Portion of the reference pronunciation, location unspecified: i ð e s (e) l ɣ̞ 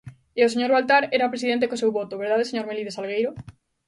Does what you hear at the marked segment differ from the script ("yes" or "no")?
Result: yes